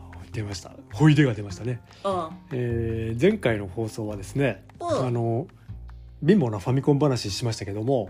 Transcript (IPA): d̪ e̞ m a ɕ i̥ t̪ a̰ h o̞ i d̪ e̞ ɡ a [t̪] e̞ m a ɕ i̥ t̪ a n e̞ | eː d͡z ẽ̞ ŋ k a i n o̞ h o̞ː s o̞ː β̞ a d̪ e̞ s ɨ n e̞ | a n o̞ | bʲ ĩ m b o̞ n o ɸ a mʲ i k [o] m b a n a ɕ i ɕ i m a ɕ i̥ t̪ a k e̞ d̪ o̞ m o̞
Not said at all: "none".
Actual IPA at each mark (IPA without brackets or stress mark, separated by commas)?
d̪, õ